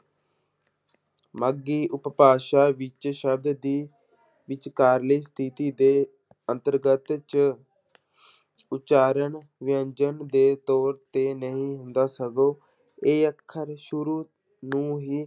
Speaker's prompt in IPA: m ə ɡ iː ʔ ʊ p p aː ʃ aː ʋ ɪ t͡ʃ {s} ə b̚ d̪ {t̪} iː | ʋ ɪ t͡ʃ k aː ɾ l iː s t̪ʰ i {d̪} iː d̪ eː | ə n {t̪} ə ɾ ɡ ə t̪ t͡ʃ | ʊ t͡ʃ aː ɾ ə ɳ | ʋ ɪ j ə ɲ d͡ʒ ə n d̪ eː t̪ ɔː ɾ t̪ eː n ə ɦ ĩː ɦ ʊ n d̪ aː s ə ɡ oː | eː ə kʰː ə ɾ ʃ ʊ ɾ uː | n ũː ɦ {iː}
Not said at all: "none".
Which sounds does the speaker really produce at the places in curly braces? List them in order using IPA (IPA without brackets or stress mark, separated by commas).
ʃ, d̪, t̪, t̪, iː